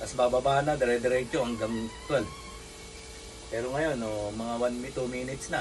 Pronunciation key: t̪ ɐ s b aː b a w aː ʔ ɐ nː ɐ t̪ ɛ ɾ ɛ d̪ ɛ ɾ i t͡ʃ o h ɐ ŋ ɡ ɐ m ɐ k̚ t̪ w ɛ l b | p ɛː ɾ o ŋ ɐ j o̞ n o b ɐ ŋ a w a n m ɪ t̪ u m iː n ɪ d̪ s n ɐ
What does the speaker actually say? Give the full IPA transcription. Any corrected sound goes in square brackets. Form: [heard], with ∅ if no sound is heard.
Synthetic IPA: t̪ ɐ s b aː b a [b] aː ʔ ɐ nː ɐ [d̪] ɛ ɾ ɛ d̪ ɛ ɾ [ɛ] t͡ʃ o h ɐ ŋ ɡ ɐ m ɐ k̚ t̪ w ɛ l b | p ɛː ɾ o ŋ ɐ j o̞ n o [m] ɐ ŋ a w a n m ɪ t̪ u m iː n ɪ [t̪] s n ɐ